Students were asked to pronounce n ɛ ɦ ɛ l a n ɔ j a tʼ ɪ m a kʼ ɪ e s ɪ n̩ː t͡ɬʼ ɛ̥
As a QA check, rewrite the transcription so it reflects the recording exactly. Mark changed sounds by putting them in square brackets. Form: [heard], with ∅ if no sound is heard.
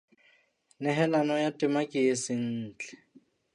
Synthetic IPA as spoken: n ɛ ɦ ɛ l a n ɔ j a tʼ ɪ m a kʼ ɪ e s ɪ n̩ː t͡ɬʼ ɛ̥